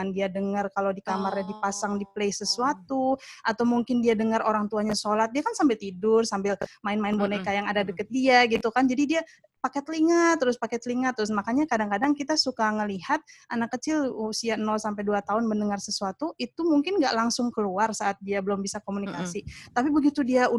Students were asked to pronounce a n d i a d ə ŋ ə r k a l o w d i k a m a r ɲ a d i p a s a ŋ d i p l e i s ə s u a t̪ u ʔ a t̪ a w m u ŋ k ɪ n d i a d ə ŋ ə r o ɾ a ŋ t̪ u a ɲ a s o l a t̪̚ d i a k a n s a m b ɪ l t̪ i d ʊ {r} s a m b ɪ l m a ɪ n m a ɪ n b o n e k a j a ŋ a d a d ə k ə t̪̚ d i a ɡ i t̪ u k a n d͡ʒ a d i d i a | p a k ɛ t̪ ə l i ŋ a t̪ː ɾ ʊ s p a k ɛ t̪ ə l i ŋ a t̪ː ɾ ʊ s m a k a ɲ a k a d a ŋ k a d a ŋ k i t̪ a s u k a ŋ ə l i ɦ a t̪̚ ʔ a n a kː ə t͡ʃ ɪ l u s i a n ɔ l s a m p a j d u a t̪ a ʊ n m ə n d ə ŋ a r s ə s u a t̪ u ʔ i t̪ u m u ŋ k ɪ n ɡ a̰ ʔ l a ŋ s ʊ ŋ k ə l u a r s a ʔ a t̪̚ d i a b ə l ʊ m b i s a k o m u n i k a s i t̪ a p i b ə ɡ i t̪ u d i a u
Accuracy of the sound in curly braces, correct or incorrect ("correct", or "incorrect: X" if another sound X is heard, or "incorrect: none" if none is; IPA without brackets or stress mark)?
correct